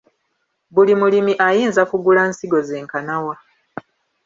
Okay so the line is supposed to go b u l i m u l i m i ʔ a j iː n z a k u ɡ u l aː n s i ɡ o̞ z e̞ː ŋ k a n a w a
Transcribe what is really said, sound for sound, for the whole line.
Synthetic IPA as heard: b u l i m u l i m i ʔ a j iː n z a k u ɡ u l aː n s i ɡ o̞ z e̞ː ŋ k a n a w a